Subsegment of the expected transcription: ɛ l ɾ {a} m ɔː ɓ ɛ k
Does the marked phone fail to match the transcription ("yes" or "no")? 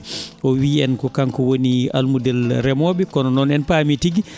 yes